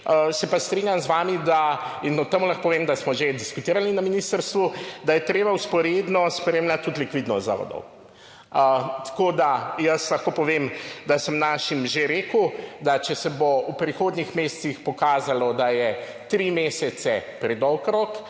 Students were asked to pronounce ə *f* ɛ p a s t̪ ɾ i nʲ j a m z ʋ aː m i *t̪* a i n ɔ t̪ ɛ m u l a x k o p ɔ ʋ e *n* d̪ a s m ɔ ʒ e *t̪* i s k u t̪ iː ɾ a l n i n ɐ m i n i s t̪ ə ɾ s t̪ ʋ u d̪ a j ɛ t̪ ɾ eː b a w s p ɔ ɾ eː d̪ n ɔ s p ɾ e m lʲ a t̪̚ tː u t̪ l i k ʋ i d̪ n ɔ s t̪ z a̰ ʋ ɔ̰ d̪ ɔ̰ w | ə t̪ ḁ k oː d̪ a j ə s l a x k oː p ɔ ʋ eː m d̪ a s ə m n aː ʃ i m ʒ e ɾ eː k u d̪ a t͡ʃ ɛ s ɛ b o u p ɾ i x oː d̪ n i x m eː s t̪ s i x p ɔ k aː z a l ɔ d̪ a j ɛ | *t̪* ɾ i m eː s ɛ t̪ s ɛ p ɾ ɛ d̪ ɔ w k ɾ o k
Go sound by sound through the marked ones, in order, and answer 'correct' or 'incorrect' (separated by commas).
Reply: incorrect, incorrect, incorrect, incorrect, correct